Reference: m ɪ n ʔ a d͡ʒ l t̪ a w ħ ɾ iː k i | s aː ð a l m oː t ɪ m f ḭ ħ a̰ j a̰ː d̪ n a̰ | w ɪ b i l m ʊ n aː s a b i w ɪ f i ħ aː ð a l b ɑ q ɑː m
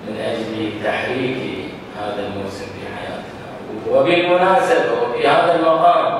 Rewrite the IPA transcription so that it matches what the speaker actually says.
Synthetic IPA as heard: m ɪ n ʔ a d͡ʒ l t̪ a ħ ɾ iː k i | h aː ð a l m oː s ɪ m f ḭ ħ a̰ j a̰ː t̪ n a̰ | w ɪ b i l m ʊ n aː s a b a w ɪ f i h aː ð a l m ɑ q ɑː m